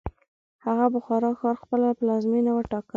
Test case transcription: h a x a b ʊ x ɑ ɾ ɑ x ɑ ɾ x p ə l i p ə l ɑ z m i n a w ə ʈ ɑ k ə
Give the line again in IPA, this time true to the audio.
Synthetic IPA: h a ɣ a b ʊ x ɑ ɾ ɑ x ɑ ɾ x p ə l a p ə l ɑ z m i n a w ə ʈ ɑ k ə